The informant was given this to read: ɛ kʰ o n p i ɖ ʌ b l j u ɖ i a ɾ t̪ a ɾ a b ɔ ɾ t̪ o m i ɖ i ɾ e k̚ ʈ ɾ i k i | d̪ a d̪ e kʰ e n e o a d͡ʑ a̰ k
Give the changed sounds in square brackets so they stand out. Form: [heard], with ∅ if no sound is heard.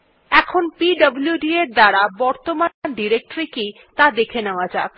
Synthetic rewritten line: ɛ kʰ o n p i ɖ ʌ b l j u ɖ i [e] ɾ [d̪] a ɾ a b ɔ ɾ t̪ o m [a] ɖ i ɾ e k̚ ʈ ɾ i k i | [t̪] a d̪ e kʰ e n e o a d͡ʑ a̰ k